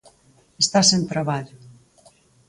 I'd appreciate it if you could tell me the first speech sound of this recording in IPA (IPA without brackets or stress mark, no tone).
e